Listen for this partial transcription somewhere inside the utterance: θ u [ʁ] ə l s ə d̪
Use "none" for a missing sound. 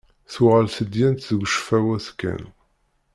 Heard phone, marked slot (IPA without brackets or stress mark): ʁ